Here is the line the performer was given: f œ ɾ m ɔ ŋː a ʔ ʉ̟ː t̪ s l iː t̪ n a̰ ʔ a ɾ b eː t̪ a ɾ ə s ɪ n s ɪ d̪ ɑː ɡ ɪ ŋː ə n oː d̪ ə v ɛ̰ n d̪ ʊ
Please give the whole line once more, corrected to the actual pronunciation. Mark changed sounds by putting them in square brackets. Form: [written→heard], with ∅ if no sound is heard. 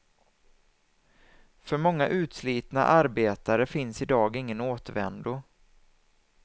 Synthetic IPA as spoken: f œ ɾ m ɔ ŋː a ʔ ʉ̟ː t̪ s l iː t̪ n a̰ ʔ a ɾ b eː t̪ a ɾ ə [s→f] ɪ n s ɪ d̪ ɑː ɡ ɪ ŋː ə n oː [d̪→t̪] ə v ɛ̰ n d̪ ʊ